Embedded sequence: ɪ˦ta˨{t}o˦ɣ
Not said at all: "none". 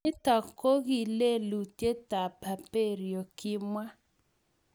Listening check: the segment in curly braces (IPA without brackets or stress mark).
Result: k